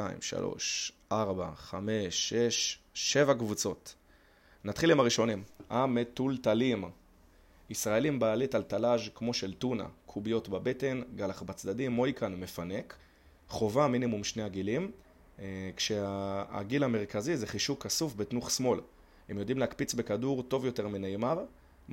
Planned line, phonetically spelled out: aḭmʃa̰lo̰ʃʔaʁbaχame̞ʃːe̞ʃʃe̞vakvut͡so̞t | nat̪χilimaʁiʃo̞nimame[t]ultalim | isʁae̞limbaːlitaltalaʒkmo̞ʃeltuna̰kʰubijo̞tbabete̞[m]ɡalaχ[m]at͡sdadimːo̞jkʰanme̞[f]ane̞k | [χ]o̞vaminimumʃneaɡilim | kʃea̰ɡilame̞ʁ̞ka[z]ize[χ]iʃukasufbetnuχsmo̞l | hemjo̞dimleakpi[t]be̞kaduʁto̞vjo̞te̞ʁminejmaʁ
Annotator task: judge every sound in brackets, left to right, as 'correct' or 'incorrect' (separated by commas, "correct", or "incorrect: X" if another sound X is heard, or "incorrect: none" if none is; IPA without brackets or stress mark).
correct, incorrect: n, incorrect: b, correct, correct, correct, correct, incorrect: t͡s